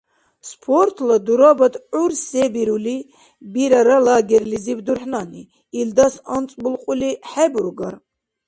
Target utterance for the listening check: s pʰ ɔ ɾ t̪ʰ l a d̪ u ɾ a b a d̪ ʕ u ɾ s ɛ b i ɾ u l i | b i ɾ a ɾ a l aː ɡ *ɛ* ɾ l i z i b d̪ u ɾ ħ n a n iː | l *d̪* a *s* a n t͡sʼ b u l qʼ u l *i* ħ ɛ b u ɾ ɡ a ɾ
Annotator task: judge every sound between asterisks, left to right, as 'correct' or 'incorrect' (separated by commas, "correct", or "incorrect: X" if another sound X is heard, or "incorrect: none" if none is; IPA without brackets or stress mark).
correct, correct, correct, correct